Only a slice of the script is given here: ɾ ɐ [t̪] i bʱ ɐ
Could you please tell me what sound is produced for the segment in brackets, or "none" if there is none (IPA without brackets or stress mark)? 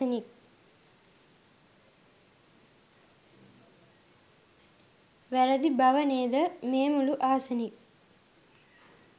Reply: d̪